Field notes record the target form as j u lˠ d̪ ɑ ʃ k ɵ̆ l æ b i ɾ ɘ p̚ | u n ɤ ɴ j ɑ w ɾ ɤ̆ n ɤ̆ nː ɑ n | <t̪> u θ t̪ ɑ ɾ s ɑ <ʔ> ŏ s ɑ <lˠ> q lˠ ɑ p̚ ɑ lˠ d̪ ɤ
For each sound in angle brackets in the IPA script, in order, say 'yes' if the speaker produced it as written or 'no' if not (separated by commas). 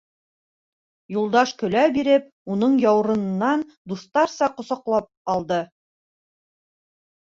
no, no, no